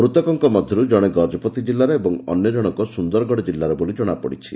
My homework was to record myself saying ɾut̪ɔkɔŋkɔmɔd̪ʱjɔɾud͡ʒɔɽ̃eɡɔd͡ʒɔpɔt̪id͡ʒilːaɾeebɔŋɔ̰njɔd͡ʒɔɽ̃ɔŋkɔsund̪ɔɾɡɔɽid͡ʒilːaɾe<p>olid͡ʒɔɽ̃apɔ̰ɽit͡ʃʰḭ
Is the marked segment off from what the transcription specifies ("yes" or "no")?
yes